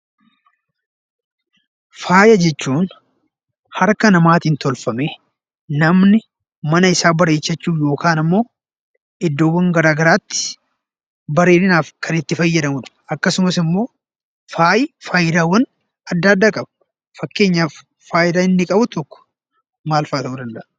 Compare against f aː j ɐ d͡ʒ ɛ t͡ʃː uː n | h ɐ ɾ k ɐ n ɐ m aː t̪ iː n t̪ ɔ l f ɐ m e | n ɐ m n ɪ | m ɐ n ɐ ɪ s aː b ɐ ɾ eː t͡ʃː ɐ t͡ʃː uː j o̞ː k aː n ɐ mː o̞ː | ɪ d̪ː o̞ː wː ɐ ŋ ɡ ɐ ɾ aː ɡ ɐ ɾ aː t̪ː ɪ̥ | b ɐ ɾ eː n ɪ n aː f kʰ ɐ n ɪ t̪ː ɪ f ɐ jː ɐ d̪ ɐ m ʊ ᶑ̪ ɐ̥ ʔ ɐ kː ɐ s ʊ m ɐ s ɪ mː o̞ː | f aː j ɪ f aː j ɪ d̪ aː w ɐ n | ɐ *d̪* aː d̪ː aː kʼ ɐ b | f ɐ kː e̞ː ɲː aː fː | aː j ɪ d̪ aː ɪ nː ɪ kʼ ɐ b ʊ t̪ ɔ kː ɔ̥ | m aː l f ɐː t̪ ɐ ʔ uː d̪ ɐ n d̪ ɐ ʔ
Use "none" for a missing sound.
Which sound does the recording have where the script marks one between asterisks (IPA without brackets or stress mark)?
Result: d̪ː